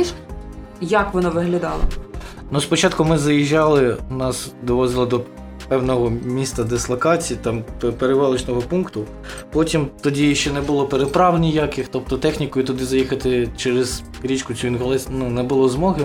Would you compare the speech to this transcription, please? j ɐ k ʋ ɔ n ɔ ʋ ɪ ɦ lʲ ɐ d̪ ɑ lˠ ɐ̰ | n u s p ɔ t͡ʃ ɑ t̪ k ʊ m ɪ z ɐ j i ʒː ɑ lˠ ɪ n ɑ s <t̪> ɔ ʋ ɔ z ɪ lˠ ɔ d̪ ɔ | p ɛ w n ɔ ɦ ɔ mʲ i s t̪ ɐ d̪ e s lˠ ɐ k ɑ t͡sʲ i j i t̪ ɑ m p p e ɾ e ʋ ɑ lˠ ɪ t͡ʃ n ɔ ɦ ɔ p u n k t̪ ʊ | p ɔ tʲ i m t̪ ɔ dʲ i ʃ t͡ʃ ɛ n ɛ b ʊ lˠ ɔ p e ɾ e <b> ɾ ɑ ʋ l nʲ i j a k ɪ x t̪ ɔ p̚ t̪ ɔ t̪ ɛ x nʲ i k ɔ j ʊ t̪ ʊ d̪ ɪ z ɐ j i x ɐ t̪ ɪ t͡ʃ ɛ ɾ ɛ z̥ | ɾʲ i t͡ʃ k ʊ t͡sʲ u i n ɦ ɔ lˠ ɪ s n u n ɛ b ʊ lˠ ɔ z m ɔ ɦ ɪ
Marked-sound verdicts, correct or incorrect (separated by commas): incorrect, incorrect